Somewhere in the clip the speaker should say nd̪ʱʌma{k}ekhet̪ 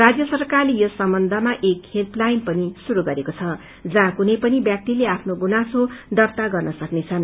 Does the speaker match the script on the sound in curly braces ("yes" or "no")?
no